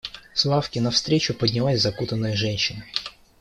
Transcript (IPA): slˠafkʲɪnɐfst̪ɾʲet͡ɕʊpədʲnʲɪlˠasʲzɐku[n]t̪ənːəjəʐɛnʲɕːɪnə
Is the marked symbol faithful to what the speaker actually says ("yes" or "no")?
no